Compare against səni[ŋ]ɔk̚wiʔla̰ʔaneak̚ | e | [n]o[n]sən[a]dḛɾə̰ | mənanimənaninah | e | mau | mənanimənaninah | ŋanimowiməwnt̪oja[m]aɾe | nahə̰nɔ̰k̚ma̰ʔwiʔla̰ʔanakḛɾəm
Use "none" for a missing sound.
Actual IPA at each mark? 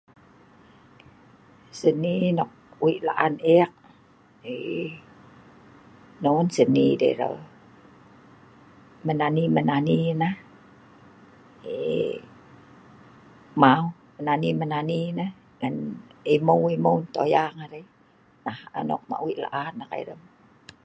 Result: n, n, n, i, ŋ

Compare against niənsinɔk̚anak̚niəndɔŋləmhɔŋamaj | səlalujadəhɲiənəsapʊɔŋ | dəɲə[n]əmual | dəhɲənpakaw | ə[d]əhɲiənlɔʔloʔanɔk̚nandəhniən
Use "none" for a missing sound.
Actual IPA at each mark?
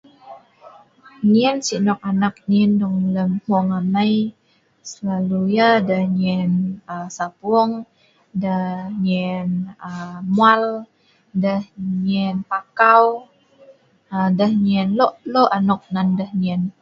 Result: n, d

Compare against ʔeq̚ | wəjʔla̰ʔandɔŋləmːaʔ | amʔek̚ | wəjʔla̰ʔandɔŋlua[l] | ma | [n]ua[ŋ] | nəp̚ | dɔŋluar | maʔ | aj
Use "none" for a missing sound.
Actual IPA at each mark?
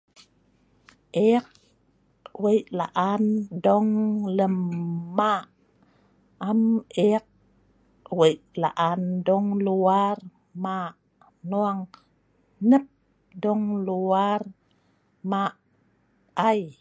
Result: r, n, ŋ

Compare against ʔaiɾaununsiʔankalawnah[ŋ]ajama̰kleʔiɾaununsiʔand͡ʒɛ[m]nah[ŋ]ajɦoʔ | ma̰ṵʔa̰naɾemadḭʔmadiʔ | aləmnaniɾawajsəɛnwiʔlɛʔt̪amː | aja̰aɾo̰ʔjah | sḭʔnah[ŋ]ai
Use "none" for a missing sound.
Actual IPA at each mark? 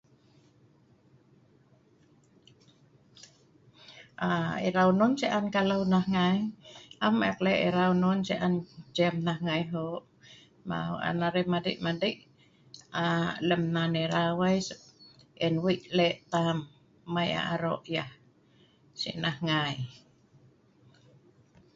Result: ŋ, m, ŋ, ŋ

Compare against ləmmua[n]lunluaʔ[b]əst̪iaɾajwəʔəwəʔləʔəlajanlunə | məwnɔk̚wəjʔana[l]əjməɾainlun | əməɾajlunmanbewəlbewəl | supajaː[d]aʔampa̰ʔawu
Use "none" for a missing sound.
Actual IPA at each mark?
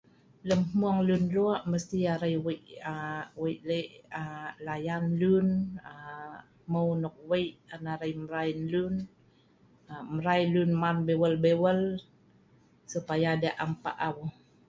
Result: ŋ, m, ɾ, d

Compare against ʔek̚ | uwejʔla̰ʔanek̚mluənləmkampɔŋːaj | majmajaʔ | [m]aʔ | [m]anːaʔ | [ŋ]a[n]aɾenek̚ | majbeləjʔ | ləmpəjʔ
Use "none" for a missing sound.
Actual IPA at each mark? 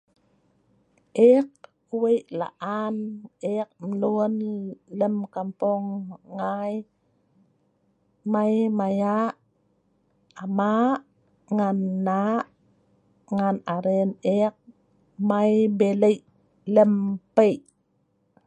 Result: m, ŋ, ŋ, n

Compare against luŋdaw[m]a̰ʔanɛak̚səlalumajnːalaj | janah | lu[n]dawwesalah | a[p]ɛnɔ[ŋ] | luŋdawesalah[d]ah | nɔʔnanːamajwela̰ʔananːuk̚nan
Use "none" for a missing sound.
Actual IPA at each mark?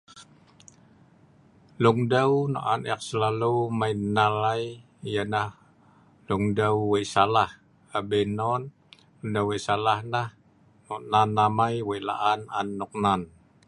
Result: n, ŋ, b, n, n

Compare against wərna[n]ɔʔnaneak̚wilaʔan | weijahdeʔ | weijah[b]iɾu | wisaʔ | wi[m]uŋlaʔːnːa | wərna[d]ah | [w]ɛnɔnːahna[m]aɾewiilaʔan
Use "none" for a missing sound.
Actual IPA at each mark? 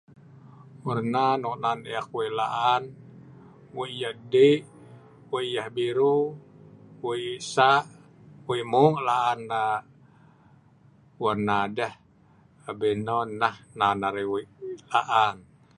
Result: n, b, m, d, b, n

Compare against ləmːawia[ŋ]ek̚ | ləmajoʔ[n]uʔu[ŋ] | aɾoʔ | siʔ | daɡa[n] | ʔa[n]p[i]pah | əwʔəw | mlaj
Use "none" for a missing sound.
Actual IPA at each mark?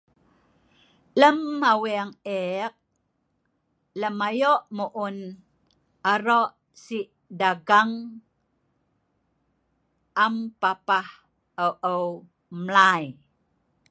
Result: ŋ, m, n, ŋ, m, a

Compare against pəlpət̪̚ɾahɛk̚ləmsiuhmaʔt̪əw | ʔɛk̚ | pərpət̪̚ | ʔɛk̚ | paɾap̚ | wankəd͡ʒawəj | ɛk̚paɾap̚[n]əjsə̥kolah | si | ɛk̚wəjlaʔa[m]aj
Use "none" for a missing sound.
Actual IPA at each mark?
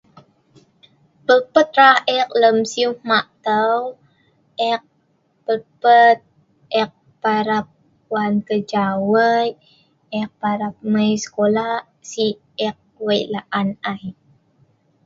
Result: m, n

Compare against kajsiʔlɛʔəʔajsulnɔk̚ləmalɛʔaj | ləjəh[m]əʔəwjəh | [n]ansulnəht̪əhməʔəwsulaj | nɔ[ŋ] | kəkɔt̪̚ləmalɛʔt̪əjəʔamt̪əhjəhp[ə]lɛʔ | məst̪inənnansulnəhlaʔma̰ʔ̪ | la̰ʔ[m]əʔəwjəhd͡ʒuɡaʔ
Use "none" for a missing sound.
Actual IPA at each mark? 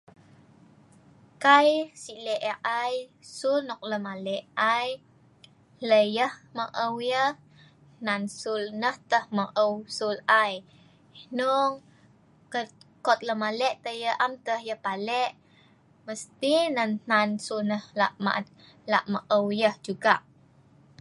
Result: m, n, ŋ, a, m

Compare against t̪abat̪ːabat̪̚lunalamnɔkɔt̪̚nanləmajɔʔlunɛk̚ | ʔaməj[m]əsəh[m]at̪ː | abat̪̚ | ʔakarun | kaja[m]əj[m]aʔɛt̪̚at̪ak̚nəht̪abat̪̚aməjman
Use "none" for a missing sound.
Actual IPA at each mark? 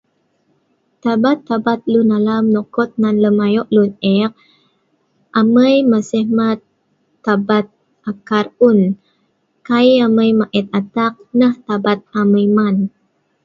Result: m, m, m, m

